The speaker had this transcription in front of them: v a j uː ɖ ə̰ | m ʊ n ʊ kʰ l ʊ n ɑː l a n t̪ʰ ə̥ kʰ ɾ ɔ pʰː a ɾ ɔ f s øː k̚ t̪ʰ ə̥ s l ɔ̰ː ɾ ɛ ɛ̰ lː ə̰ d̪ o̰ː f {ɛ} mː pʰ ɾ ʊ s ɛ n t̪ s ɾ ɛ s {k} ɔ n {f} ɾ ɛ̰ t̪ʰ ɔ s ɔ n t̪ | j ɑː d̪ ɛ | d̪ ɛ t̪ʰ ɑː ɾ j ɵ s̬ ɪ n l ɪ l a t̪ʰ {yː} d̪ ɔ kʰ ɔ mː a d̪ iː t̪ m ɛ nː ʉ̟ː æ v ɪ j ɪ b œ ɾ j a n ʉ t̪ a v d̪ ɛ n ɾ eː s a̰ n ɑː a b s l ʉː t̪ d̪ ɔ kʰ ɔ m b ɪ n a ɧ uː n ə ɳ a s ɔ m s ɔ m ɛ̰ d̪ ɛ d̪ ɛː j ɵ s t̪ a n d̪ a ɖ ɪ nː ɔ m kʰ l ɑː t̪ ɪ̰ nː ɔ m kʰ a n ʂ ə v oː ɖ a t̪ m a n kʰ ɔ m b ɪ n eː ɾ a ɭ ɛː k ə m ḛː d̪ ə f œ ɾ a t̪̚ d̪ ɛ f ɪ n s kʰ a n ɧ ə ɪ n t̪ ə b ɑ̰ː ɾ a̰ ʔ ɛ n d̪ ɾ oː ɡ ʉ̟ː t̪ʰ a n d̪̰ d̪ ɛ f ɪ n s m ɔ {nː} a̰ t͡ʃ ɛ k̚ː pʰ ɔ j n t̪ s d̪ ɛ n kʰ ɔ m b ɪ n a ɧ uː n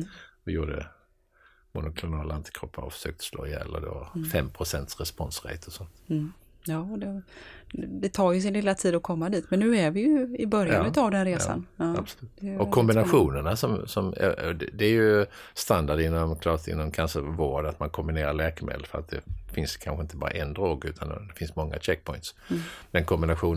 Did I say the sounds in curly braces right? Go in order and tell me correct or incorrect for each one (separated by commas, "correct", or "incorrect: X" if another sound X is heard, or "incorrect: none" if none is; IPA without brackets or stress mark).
correct, incorrect: p, incorrect: s, incorrect: iː, incorrect: ŋː